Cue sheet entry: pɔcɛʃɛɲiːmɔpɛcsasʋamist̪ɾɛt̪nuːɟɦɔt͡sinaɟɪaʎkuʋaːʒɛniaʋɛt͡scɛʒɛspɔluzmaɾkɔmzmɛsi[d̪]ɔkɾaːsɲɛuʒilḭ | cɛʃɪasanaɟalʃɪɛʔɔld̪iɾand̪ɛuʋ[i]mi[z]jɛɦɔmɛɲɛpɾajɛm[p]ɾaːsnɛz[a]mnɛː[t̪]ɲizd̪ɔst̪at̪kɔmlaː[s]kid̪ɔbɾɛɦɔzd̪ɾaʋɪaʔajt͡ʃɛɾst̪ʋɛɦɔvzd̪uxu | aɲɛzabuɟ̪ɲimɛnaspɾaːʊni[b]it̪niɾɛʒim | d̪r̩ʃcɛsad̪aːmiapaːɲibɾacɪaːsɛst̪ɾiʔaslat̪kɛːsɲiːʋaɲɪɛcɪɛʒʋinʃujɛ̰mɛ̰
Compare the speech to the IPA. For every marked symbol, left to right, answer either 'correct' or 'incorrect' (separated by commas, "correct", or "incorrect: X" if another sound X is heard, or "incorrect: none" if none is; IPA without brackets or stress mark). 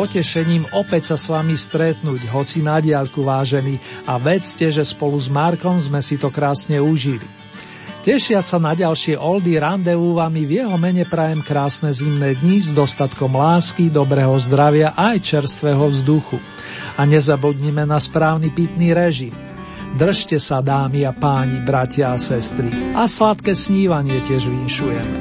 incorrect: t̪, incorrect: a, incorrect: v, incorrect: k, incorrect: i, incorrect: d̪, correct, incorrect: p